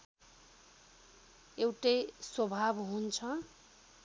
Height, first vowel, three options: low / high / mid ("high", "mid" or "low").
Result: mid